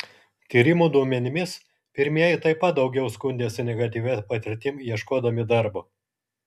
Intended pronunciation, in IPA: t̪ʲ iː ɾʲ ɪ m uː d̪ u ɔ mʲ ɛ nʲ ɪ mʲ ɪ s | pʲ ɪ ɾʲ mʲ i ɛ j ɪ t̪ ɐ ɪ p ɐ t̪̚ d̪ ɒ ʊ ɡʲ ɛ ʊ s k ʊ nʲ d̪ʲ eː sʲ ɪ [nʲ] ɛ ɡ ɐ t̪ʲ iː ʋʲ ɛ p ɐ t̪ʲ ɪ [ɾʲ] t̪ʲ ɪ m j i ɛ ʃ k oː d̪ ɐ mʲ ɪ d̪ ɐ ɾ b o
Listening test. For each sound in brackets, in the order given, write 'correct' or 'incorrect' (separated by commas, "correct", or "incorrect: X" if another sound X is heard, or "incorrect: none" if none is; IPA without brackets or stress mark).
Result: correct, correct